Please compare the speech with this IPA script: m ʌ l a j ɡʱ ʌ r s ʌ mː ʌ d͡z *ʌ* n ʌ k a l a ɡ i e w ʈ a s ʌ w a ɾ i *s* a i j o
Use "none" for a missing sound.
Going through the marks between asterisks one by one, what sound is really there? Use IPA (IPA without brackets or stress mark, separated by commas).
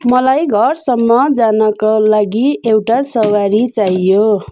a, t͡s